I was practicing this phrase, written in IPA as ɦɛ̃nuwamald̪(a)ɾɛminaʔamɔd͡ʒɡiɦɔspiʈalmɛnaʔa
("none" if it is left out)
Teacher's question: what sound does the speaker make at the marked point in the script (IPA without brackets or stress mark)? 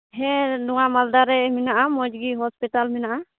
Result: a